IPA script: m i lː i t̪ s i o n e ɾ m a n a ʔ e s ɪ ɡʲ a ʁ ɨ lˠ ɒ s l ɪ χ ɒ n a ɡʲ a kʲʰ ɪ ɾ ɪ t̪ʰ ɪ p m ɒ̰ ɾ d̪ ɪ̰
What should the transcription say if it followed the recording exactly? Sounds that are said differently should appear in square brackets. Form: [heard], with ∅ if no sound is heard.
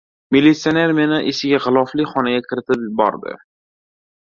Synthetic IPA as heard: m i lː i t̪ s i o n e ɾ m [e] n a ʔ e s ɪ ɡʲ a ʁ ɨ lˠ ɒ [f] l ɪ χ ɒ n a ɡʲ a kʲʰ ɪ ɾ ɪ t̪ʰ ɪ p [b] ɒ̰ ɾ d̪ ɪ̰